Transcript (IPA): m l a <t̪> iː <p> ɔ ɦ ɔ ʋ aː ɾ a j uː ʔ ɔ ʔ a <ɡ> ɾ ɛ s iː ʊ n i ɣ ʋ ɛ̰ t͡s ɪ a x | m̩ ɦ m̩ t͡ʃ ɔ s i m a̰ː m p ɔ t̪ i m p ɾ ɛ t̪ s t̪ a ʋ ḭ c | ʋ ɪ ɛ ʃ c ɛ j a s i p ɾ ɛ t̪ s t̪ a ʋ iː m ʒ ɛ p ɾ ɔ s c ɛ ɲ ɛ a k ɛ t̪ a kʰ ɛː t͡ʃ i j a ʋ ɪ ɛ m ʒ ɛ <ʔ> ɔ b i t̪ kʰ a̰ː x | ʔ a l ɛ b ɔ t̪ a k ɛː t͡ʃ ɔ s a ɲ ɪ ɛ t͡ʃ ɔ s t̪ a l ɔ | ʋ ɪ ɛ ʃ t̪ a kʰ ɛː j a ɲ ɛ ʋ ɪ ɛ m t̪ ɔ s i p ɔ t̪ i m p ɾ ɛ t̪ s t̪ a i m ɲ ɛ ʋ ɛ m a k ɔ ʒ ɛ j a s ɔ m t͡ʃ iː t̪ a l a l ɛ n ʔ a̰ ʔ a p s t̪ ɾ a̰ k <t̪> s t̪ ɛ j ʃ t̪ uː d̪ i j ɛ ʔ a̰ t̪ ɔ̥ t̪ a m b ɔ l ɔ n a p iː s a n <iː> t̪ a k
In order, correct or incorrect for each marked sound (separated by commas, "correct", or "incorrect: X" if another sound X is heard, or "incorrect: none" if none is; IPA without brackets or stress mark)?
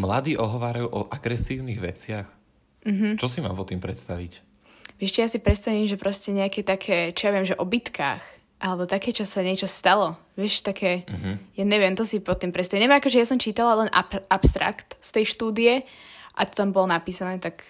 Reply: incorrect: d̪, incorrect: ʔ, correct, correct, correct, incorrect: ɛː